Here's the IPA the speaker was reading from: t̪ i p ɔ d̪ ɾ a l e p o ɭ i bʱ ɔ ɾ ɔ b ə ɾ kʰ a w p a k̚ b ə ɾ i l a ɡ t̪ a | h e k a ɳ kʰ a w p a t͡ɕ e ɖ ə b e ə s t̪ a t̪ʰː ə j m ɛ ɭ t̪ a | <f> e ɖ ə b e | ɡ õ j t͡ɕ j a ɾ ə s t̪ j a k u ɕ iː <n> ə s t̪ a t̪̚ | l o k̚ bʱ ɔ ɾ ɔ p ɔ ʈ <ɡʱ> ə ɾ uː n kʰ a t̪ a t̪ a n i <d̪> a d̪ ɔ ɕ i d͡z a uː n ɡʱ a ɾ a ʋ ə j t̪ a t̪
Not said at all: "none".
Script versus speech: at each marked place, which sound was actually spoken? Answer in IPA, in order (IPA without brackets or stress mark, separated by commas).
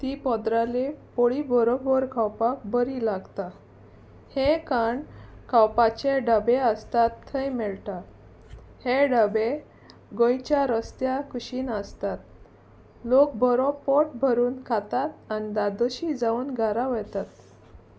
h, n, bʱ, d̪